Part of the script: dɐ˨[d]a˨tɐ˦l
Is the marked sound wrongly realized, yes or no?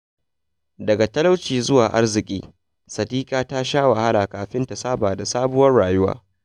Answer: yes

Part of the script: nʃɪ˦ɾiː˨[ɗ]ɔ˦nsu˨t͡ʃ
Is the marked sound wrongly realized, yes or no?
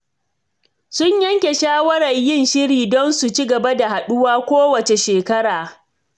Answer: yes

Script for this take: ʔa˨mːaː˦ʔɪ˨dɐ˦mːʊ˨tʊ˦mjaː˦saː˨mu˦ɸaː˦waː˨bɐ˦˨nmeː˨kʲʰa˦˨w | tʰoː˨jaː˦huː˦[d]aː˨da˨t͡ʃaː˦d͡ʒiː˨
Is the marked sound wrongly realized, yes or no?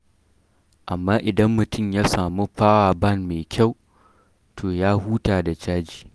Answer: yes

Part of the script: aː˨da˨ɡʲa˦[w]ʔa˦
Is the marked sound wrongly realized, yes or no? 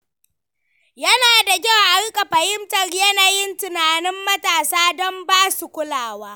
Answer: no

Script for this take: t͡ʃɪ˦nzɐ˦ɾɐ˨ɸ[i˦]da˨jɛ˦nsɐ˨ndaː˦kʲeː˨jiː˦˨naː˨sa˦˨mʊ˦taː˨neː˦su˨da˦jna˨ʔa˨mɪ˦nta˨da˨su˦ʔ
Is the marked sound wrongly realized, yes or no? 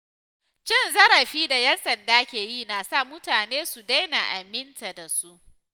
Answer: yes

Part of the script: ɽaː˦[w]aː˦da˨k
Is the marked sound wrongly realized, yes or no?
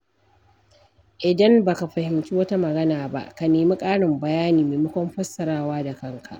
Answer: no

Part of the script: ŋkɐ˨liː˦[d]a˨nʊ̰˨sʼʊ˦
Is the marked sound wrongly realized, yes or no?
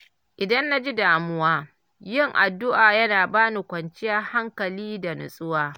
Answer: no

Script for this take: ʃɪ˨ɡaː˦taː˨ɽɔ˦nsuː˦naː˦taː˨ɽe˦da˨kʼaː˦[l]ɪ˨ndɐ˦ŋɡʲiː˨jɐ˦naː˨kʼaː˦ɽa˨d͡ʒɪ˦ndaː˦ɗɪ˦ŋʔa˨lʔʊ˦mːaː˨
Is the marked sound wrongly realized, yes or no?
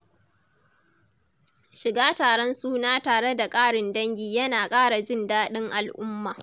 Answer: yes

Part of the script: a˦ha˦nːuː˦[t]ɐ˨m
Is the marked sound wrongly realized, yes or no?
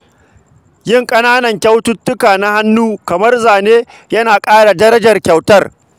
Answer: yes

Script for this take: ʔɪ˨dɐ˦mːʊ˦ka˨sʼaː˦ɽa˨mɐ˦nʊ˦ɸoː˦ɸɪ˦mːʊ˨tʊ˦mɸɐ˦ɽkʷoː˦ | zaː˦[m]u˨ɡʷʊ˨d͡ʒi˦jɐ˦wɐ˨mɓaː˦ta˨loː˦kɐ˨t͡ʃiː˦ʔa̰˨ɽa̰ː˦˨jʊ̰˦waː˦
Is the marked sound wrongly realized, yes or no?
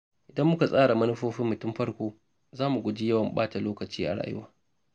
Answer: no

